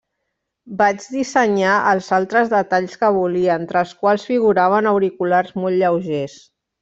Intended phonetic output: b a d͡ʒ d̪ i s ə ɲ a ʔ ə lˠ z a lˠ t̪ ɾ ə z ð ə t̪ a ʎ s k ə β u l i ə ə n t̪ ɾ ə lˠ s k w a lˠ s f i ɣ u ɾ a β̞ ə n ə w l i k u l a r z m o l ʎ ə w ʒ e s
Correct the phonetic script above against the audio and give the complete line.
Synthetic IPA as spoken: b a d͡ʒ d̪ i s ə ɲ a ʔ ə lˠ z a lˠ t̪ ɾ ə z ð ə t̪ a ʎ s k ə β u l i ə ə n t̪ ɾ ə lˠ s k w a lˠ s f i ɣ u ɾ a β̞ ə n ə w ɾ i k u l a r z m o l ʎ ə w ʒ e s